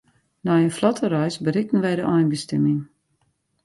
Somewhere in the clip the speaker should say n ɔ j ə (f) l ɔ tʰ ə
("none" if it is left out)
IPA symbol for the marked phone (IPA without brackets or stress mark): f